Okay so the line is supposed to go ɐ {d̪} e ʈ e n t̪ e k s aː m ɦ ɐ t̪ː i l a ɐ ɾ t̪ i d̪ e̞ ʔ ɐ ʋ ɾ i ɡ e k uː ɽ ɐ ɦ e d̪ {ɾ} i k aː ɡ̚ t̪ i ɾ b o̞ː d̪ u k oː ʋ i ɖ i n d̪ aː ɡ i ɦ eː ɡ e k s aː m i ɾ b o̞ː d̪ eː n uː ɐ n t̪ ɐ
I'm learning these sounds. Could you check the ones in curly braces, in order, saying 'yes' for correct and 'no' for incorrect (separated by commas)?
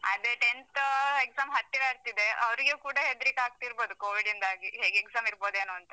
yes, yes